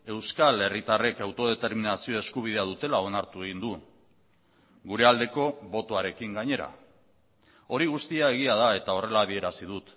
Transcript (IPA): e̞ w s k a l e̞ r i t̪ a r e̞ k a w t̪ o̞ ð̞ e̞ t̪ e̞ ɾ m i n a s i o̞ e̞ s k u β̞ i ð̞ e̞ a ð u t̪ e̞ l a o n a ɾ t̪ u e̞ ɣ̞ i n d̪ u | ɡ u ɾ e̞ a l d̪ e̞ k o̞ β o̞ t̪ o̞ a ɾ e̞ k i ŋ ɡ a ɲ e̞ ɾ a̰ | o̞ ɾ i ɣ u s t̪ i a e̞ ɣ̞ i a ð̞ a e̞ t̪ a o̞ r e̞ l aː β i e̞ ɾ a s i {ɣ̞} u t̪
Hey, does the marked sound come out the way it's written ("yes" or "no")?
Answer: no